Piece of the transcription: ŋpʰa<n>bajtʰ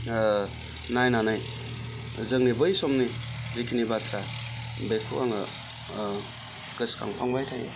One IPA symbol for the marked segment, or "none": ŋ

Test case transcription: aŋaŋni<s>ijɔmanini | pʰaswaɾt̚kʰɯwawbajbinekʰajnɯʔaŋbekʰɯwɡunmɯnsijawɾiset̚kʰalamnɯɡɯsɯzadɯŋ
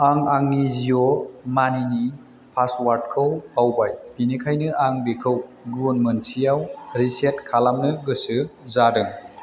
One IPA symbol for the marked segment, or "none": z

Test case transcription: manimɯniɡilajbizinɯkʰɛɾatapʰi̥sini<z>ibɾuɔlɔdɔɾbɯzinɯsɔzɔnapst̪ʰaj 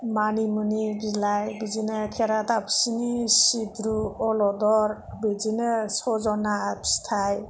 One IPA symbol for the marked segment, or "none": s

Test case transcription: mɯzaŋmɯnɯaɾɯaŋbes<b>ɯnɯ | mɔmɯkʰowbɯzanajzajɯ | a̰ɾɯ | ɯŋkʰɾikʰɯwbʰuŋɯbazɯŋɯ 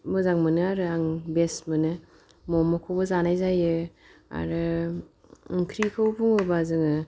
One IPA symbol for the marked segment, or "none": m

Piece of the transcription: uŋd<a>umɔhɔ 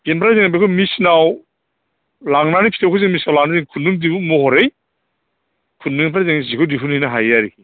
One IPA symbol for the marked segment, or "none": i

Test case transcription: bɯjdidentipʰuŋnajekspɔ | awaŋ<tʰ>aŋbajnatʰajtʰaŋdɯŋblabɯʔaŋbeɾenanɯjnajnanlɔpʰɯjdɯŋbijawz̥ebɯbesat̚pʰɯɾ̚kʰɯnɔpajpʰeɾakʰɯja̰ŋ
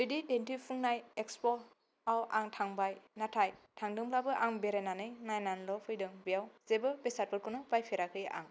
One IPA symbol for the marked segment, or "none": tʰ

